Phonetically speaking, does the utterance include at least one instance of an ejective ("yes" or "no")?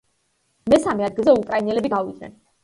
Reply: yes